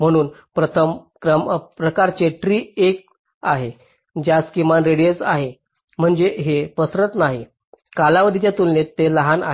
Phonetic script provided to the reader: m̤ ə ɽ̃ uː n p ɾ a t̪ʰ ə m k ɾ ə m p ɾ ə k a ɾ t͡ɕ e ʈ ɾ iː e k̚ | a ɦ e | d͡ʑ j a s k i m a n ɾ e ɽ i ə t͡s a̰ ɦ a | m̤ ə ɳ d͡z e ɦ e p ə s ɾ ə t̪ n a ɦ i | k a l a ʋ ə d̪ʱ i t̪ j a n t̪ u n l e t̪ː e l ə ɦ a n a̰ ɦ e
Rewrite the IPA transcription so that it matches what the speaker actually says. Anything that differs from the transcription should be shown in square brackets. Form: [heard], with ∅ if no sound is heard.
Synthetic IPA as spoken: m̤ ə ɽ̃ uː n p ɾ [ə] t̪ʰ ə m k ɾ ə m p ɾ ə k a ɾ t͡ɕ e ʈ ɾ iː e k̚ | a ɦ e | d͡ʑ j a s k i m a n ɾ e ɽ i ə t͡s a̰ ɦ [e] | m̤ ə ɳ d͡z e ɦ e p ə s ɾ ə t̪ n a ɦ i | k a l a ʋ ə d̪ʱ i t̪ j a [∅] t̪ u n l e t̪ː e l ə ɦ a n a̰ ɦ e